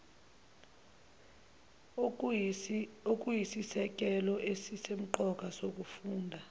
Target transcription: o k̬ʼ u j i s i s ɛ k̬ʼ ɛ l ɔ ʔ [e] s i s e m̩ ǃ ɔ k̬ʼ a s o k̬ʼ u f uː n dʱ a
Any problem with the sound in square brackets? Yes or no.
no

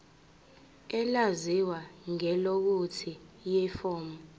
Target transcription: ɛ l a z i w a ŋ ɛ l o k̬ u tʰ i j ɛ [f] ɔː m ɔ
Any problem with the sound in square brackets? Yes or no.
no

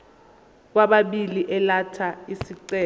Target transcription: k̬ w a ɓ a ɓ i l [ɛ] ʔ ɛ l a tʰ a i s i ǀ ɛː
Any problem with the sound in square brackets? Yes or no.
yes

